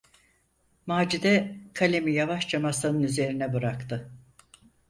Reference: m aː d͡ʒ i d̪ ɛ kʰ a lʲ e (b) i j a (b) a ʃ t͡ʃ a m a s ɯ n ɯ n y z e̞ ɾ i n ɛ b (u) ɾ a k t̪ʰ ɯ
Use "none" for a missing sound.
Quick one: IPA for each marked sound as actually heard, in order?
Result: m, v, ɯ

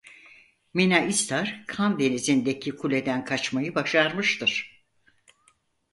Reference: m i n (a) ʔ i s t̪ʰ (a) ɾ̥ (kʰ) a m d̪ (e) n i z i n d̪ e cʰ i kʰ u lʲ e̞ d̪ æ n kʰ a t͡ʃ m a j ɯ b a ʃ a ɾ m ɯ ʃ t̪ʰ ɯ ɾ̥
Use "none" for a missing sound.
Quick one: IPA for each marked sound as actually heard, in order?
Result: a, a, kʰ, e

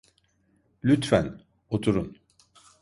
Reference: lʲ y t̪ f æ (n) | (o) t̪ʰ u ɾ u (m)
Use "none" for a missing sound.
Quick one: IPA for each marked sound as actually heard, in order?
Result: n, o, n

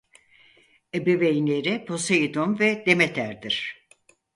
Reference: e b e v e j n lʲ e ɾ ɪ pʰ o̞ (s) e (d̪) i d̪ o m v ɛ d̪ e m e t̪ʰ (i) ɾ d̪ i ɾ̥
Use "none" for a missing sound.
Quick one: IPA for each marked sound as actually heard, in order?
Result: s, none, æ

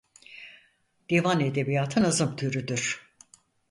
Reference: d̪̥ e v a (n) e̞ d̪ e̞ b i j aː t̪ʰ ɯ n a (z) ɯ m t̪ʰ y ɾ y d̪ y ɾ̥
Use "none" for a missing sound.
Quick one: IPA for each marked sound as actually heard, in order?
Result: n, z

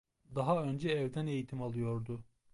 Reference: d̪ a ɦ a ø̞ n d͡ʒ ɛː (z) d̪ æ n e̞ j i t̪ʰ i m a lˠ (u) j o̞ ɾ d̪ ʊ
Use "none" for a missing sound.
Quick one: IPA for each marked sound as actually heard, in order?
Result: v, ɯ

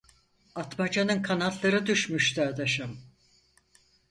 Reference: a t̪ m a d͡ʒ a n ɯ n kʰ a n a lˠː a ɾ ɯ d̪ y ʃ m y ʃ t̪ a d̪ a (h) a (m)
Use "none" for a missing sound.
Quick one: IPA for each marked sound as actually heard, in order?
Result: ʃ, m

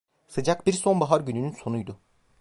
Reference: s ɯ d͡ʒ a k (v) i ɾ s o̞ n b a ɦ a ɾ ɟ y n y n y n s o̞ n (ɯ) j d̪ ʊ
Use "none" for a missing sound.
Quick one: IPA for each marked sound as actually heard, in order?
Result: b, u

